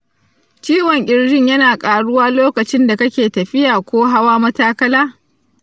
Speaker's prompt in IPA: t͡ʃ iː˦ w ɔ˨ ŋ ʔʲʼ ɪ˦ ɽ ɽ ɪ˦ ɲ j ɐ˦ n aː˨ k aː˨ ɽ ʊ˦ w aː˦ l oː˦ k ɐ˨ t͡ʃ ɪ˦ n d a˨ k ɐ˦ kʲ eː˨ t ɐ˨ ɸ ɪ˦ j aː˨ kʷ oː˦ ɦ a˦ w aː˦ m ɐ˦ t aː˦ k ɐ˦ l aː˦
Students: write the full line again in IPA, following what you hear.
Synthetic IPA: t͡ʃ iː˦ w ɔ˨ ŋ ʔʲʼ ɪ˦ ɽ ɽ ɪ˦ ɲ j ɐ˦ n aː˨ kʼ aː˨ ɽ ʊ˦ w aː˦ l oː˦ k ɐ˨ t͡ʃ ɪ˦ n d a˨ k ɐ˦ kʲ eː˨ t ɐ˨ ɸ ɪ˦ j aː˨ kʷ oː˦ ɦ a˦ w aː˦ m ɐ˦ t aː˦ k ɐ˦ l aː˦